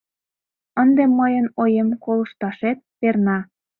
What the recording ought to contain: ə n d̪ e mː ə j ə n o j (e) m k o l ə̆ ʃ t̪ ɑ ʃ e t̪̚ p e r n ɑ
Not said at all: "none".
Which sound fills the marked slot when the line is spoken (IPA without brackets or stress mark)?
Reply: e